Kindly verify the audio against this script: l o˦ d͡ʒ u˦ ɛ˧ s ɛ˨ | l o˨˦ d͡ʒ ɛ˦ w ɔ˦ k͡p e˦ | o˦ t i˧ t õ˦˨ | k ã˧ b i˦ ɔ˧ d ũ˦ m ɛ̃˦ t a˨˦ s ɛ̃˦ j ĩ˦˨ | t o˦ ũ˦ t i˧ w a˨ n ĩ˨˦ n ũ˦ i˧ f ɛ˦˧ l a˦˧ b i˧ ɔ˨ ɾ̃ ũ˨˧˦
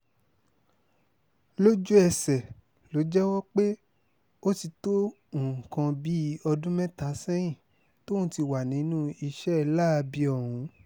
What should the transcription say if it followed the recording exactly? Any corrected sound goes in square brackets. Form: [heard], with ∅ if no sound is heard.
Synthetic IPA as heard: l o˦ d͡ʒ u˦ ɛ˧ s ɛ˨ | l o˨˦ d͡ʒ ɛ˦ w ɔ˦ k͡p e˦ | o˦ t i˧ t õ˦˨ | k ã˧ b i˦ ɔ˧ d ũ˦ m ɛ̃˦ t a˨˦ s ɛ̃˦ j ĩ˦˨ | t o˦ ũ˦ t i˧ w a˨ n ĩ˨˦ n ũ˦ i˧ [ʃ] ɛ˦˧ l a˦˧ b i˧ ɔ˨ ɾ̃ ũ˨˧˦